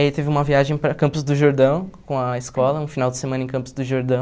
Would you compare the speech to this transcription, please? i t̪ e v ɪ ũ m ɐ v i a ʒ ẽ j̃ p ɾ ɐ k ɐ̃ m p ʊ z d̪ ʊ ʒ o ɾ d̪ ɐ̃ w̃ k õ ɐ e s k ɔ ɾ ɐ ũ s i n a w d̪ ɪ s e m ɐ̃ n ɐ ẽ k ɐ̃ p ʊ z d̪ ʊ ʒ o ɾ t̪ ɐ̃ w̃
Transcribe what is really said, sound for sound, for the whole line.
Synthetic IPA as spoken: i t̪ e v ɪ ũ m ɐ v i a ʒ ẽ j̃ p ɾ ɐ k ɐ̃ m p ʊ z d̪ ʊ ʒ o ɾ d̪ ɐ̃ w̃ k õ ɐ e s k ɔ l ɐ ũ f i n a w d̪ ɪ s e m ɐ̃ n ɐ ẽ k ɐ̃ p ʊ z d̪ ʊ ʒ o ɾ d̪ ɐ̃ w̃